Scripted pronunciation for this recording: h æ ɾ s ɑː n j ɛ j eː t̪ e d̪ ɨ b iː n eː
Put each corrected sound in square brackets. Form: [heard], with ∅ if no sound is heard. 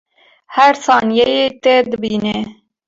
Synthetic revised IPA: h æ ɾ s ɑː n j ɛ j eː t̪ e d̪ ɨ b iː n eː